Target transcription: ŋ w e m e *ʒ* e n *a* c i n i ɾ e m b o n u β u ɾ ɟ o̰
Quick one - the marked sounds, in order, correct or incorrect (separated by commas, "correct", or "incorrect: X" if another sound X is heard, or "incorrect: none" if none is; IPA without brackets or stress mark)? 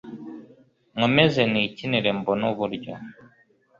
incorrect: z, incorrect: i